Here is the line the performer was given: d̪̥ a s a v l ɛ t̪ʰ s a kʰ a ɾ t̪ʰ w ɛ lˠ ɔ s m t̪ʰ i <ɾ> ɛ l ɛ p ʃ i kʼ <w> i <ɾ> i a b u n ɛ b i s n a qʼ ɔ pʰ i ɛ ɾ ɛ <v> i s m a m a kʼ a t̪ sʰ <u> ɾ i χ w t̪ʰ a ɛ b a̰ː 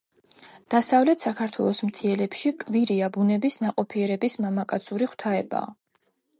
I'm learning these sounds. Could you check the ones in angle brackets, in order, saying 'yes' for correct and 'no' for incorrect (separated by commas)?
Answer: no, no, yes, no, yes